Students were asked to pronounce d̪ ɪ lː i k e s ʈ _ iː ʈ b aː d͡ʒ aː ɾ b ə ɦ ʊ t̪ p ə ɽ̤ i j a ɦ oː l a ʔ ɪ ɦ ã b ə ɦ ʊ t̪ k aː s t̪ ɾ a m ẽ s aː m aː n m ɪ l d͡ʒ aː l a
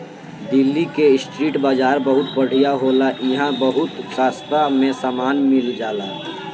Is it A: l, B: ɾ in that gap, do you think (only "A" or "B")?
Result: B